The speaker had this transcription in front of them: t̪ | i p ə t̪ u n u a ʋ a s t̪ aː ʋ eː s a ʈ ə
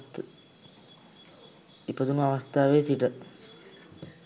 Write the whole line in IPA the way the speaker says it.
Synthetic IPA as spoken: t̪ | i p ə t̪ u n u a ʋ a s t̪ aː ʋ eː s i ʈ ə